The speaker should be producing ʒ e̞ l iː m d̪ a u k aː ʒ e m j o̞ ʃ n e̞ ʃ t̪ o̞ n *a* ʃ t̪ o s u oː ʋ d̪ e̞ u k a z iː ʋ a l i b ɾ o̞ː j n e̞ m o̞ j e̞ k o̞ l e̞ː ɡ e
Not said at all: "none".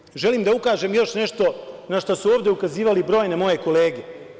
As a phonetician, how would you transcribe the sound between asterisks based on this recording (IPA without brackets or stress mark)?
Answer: a